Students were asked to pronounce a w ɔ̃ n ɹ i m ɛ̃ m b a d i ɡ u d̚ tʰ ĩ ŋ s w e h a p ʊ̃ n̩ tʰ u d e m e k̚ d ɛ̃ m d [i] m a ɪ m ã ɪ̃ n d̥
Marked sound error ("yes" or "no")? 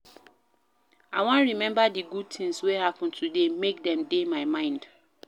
yes